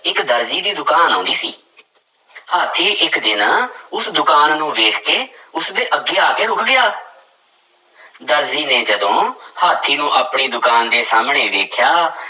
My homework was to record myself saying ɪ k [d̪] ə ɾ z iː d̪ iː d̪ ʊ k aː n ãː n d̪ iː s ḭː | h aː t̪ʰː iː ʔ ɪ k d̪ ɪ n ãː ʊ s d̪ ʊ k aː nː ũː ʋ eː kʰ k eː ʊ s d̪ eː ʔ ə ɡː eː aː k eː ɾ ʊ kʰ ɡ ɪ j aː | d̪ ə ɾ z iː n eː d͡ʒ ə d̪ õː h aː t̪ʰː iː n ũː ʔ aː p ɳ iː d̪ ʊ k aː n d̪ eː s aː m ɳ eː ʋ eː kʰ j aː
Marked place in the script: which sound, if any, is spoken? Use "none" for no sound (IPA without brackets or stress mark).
d̪